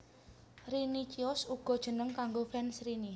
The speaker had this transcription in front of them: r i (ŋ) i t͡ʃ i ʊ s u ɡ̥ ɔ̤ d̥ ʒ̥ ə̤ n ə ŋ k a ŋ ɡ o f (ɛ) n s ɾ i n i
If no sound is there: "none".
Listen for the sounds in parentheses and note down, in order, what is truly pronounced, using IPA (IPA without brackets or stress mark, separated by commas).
n, ɛ